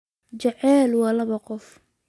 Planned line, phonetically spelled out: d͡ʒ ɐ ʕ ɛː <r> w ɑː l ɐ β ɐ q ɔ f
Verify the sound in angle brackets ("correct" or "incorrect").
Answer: incorrect